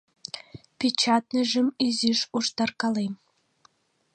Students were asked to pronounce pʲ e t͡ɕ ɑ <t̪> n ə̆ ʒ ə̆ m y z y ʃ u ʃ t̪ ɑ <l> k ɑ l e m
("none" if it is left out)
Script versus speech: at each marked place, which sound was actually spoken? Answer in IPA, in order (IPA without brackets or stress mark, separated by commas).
t̪, r